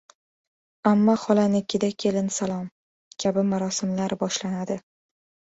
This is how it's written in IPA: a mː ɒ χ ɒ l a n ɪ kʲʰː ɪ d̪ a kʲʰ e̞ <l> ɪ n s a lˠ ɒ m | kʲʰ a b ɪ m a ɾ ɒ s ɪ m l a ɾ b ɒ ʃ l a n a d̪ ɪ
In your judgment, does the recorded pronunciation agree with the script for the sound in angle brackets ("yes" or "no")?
yes